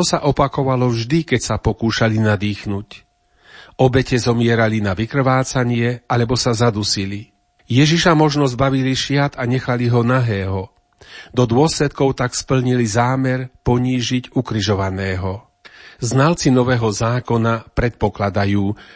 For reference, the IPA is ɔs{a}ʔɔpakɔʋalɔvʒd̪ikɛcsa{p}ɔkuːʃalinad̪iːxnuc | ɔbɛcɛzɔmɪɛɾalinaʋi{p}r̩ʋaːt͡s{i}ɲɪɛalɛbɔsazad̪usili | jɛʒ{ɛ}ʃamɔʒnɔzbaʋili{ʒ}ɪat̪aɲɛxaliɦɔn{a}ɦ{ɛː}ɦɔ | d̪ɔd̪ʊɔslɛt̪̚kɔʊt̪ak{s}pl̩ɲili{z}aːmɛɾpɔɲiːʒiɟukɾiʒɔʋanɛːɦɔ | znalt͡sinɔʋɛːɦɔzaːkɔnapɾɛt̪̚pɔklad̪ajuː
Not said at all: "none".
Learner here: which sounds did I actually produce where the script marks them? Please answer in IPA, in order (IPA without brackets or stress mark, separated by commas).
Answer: a, p, k, a, i, ʃ, a, ɛː, s, z